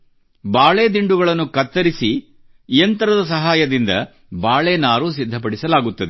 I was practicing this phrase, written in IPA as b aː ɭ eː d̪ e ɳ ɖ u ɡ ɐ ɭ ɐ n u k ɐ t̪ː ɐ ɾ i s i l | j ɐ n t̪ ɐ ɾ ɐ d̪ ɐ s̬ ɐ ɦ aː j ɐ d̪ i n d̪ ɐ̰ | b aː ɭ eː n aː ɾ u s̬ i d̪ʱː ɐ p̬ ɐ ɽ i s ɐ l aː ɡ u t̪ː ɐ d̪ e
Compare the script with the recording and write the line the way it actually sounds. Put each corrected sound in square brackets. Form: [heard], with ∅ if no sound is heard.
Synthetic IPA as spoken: b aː ɭ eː d̪ [i] ɳ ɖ u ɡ ɐ ɭ ɐ [nː] u k ɐ t̪ː ɐ ɾ i s i [∅] | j ɐ n t̪ ɐ ɾ ɐ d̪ ɐ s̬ ɐ ɦ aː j ɐ d̪ i n d̪ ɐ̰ | b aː ɭ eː n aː ɾ u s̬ i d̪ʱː ɐ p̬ ɐ ɽ i s ɐ l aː ɡ u t̪ː ɐ d̪ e